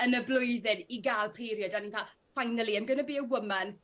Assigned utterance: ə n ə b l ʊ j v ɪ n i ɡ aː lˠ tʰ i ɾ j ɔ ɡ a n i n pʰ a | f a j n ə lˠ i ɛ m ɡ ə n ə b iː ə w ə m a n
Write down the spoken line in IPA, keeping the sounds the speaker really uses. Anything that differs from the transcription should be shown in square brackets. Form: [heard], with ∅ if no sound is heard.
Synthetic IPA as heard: ə n ə b l ʊ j [ð] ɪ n i ɡ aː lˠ [pʰ] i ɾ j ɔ [d] a n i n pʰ a | f a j n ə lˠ i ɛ m ɡ ə n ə b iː ə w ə m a n